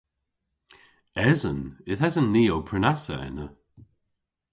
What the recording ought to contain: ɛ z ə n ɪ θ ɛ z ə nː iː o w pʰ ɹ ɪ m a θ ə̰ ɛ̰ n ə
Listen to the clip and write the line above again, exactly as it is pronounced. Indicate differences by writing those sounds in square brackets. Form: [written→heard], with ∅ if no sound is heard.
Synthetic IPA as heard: ɛ z ə n ɪ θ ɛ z ə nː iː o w pʰ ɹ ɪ [m→n] a [θ→s] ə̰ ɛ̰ n ə